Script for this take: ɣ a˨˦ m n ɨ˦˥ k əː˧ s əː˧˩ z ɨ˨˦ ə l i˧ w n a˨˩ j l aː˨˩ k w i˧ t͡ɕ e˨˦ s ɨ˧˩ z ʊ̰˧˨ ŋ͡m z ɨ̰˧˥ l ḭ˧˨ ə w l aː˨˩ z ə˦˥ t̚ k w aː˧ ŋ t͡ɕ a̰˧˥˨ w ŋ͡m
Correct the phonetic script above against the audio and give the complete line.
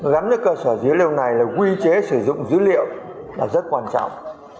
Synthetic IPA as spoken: ɣ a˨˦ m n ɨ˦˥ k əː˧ s əː˧˩ z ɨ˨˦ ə l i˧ w n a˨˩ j l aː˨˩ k w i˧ t͡ɕ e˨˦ s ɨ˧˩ z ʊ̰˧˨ ŋ͡m z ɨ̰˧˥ l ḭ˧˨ ə w l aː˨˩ z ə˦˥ t̚ k w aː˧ n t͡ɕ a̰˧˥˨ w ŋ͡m